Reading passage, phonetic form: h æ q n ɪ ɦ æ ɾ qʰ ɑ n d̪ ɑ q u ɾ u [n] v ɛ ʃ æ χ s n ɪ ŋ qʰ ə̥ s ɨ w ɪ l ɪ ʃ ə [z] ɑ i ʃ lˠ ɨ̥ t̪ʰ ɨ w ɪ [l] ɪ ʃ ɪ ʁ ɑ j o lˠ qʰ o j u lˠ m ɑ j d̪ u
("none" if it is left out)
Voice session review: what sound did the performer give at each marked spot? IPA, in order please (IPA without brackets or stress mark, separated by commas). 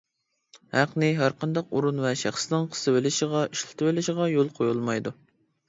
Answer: n, ʁ, l